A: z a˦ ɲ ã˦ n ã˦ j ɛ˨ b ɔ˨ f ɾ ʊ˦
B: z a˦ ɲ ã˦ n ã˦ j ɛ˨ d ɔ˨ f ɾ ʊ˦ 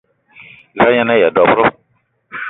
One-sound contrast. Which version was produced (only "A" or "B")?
B